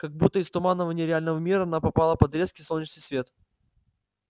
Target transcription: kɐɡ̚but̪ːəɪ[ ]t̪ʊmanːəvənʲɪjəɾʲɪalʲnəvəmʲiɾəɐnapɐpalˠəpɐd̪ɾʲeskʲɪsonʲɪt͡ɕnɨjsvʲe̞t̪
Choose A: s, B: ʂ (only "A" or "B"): A